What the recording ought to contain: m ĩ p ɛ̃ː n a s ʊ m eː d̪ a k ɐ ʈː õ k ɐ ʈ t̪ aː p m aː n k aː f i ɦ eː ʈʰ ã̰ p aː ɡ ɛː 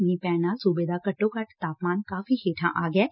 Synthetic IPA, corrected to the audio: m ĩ p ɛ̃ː n a s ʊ b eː d̪ a k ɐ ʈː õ k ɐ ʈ t̪ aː p m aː n k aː f i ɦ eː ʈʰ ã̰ ʔ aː ɡ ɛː